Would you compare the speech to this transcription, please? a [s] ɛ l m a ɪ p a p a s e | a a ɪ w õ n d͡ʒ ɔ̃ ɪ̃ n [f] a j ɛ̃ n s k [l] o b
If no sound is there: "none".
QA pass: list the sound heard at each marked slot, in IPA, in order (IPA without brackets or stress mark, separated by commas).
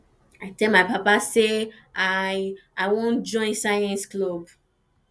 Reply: t, s, l